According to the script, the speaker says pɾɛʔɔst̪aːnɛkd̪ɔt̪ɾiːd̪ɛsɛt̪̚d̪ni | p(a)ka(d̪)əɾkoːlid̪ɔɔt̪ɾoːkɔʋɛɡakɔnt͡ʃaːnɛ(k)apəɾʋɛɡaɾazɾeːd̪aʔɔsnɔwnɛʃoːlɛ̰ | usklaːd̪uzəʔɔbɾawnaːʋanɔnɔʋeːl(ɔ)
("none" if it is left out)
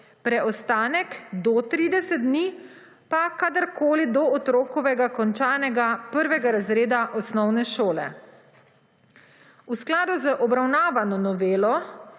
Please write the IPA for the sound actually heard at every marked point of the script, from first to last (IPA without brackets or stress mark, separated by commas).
a, d̪, ɡ, ɔ